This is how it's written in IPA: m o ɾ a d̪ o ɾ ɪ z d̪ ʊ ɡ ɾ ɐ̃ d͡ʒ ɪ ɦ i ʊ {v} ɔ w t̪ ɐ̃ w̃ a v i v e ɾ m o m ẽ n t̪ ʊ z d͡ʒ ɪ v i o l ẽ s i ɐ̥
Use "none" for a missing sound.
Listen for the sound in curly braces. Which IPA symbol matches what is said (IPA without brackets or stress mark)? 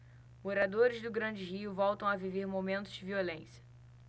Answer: v